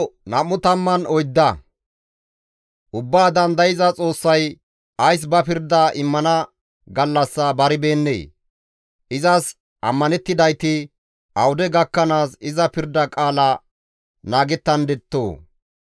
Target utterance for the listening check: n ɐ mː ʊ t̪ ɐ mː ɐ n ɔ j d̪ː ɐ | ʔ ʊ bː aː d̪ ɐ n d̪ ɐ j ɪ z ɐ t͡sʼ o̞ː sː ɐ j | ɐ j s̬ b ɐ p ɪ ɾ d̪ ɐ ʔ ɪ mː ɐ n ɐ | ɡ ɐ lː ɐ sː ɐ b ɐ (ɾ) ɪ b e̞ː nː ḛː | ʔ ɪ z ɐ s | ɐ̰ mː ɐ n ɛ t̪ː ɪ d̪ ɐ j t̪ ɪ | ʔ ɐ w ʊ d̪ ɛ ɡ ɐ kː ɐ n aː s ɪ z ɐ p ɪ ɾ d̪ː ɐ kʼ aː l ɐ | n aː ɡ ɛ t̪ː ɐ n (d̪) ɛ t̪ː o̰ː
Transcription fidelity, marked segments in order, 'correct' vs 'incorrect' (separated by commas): correct, correct